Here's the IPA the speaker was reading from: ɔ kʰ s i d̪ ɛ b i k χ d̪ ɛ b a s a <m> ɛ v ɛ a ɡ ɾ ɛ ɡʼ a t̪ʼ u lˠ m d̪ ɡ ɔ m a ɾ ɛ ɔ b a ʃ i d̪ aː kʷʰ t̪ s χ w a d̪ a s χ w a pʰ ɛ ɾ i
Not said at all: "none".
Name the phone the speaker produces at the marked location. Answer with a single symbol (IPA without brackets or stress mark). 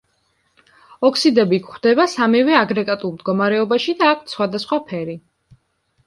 m